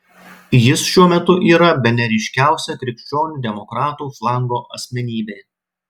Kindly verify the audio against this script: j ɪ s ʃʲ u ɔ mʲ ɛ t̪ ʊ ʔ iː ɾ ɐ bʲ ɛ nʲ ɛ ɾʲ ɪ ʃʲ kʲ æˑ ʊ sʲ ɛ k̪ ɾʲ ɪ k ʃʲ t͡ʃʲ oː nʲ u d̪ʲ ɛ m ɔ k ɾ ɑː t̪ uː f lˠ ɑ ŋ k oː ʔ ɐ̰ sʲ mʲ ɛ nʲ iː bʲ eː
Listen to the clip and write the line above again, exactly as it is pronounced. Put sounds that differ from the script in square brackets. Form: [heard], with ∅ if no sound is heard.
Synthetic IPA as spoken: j ɪ s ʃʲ u ɔ mʲ ɛ t̪ ʊ ʔ iː ɾ ɐ bʲ ɛ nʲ ɛ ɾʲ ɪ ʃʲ kʲ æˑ ʊ sʲ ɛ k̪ ɾʲ ɪ k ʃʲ t͡ʃʲ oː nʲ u d̪ʲ ɛ m ɔ k ɾ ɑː t̪ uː f lˠ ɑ ŋ [ɡ] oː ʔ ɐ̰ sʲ mʲ ɛ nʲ iː bʲ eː